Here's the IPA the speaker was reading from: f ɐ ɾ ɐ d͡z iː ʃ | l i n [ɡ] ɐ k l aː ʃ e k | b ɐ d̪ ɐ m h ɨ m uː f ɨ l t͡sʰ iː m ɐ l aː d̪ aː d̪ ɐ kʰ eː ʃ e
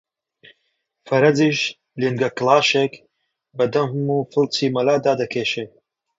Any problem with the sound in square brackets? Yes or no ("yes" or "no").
no